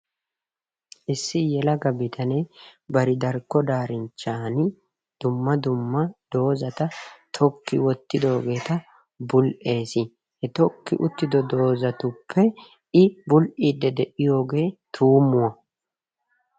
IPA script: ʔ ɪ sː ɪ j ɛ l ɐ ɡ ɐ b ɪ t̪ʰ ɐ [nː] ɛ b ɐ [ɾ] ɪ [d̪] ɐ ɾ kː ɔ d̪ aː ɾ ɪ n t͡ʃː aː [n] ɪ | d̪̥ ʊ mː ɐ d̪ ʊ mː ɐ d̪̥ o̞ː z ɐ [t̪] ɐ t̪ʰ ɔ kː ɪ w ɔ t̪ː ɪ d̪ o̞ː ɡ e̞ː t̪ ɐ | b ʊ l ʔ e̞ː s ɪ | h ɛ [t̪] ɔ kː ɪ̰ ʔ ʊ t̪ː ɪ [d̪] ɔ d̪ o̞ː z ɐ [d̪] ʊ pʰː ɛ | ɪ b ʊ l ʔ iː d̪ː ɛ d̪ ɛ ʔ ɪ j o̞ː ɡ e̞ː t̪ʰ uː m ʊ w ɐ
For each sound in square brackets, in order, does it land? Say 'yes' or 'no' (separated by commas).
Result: no, yes, yes, yes, yes, yes, yes, no